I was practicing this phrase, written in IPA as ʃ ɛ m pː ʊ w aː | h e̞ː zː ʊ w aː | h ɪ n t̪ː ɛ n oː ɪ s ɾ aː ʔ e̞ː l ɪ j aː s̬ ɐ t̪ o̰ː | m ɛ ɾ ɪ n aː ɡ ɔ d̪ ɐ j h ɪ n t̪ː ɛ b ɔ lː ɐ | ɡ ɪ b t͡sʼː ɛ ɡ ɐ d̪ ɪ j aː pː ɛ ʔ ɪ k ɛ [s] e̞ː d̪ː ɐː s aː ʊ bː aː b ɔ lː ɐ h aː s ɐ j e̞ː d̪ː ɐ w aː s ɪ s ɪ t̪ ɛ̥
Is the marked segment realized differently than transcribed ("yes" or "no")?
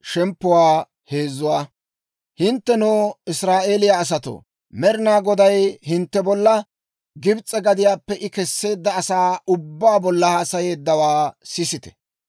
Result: yes